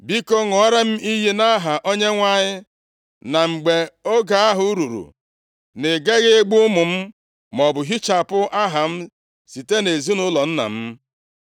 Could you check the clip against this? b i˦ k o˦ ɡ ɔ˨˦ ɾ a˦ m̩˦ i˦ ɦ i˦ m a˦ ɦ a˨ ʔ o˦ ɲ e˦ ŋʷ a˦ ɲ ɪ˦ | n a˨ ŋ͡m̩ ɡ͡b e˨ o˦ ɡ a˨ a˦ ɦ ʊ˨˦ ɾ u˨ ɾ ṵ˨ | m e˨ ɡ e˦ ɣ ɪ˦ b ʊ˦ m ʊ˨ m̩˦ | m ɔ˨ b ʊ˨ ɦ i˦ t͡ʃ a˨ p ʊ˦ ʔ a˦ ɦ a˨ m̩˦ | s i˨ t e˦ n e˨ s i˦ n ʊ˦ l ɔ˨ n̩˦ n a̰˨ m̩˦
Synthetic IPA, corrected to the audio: b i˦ k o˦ ŋ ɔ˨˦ ɾ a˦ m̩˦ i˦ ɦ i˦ n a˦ ɦ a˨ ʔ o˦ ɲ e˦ ŋʷ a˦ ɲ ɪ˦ | n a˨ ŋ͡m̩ ɡ͡b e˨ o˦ ɡ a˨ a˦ ɦ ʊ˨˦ ɾ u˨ ɾ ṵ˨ | n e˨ ɡ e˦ ɣ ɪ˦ ɡ͡b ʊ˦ m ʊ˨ m̩˦ | m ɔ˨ b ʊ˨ ɦ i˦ t͡ʃ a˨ p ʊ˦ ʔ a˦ ɦ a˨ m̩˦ | s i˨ t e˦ n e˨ z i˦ n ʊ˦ l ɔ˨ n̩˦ n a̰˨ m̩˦